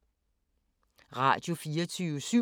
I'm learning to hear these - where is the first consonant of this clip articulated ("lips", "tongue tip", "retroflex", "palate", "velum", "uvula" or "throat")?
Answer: uvula